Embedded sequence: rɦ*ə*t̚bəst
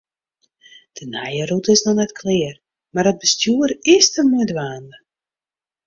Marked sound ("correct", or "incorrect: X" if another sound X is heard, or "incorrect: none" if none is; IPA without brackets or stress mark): correct